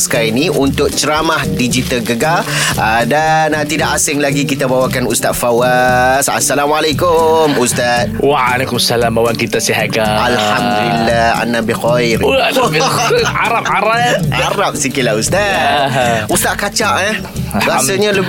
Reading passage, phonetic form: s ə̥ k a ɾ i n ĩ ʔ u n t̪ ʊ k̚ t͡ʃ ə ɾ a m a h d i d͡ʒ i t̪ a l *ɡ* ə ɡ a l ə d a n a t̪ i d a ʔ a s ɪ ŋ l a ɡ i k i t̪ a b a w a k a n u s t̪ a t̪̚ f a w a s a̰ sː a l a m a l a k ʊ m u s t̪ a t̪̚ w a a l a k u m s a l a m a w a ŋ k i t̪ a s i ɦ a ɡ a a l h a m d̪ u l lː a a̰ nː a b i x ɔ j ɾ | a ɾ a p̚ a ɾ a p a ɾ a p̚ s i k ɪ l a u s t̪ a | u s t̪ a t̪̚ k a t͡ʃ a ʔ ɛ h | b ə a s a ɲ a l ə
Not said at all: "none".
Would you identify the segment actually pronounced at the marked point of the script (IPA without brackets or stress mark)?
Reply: ɡ